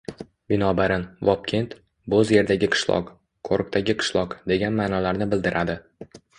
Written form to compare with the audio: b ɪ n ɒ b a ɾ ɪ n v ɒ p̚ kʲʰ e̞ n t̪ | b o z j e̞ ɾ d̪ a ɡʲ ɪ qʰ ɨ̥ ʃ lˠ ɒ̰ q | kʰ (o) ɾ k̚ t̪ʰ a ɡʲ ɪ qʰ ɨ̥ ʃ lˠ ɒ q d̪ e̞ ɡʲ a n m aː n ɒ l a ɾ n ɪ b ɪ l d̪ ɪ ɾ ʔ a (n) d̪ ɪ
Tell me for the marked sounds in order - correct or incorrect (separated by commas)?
correct, incorrect